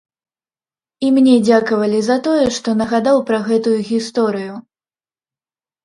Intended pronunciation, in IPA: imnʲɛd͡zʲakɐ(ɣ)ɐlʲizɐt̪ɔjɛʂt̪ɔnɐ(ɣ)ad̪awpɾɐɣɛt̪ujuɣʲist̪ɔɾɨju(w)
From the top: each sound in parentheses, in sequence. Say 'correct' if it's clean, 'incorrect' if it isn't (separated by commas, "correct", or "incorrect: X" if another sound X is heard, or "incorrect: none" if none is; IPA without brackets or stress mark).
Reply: incorrect: v, correct, incorrect: none